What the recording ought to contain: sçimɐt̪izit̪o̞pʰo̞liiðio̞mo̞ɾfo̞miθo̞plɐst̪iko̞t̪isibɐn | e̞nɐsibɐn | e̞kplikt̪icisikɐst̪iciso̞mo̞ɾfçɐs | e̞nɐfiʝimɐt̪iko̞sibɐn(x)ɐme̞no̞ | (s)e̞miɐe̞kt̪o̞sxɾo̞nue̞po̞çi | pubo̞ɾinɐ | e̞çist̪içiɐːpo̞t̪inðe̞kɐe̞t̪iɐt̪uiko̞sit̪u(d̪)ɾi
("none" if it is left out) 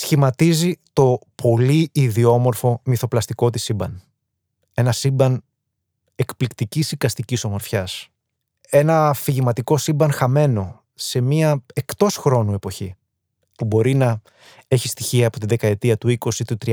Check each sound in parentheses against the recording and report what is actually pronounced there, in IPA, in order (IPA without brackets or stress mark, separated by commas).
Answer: x, s, t̪